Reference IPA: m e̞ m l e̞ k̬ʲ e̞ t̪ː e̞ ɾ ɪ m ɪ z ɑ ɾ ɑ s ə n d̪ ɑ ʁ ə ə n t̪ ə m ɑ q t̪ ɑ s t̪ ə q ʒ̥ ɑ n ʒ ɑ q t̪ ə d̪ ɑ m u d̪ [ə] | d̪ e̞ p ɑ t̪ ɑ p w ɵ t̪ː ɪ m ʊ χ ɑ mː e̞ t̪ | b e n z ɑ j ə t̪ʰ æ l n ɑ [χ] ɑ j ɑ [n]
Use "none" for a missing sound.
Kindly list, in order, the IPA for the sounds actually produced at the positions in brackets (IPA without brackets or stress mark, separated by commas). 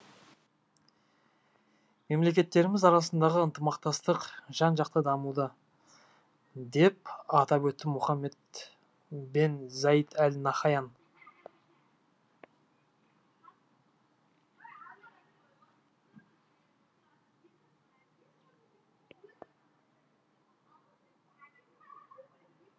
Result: ə, χ, n